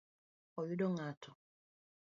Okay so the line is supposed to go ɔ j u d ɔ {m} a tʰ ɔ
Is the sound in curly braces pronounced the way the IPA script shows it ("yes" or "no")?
no